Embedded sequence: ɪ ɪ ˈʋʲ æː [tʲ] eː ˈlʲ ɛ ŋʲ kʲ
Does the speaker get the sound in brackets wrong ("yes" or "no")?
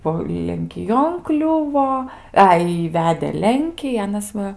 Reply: yes